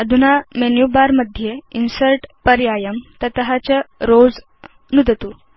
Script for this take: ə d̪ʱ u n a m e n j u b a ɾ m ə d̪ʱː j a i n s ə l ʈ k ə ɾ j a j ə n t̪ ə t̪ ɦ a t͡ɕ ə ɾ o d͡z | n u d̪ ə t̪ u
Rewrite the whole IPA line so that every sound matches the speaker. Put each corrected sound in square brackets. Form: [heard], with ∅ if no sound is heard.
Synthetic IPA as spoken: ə d̪ʱ u n a m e n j u b a ɾ m ə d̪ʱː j [e] i n s ə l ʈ [p] ə ɾ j a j ə [m] t̪ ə t̪ ɦ a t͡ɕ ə ɾ o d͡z | n u d̪ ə t̪ u